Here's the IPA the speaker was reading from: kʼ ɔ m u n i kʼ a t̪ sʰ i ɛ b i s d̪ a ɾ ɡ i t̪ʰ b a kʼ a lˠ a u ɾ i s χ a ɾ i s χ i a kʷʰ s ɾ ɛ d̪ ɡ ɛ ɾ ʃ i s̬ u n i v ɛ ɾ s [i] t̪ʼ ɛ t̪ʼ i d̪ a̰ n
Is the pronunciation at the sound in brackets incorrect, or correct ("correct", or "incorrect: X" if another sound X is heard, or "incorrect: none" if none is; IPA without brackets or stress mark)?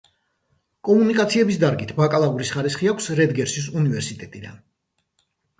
correct